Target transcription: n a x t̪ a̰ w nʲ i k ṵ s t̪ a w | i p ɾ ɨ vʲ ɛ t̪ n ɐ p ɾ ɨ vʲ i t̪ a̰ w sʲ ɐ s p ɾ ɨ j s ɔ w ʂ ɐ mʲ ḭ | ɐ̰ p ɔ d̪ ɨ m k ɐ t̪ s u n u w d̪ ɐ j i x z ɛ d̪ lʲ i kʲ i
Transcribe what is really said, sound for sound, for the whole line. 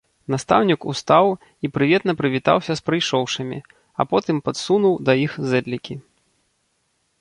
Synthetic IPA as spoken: n a s t̪ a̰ w nʲ i k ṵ s t̪ a w | i p ɾ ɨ vʲ ɛ t̪ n ɐ p ɾ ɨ vʲ i t̪ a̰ w sʲ ɐ s p ɾ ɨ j ʂ ɔ w ʂ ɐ mʲ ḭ | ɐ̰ p ɔ t̪ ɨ m p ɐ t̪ s u n u w d̪ ɐ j i x z ɛ d̪ lʲ i kʲ i